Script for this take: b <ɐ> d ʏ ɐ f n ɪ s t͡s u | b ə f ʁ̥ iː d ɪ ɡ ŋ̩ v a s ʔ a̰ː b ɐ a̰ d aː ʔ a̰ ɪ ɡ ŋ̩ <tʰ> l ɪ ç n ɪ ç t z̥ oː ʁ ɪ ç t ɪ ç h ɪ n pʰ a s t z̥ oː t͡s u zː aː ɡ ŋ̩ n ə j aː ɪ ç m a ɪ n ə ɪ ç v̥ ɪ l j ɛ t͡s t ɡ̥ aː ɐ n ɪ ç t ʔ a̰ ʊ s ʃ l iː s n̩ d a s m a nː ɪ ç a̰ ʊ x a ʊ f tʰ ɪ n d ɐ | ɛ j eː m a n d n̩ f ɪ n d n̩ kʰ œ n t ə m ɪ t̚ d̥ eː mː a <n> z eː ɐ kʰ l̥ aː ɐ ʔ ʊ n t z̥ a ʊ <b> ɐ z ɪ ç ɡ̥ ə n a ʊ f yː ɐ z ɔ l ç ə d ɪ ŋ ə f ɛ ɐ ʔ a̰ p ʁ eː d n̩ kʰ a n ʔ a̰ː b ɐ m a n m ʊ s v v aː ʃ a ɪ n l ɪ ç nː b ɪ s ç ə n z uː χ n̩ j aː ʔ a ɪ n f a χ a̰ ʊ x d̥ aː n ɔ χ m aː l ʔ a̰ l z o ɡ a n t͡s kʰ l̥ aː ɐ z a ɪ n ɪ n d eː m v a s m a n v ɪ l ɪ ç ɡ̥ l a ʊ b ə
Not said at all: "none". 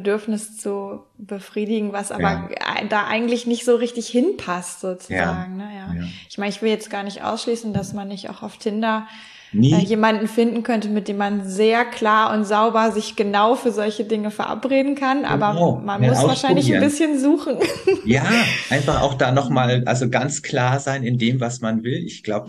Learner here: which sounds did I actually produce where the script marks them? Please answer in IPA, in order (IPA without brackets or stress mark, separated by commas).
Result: ə, t, n, b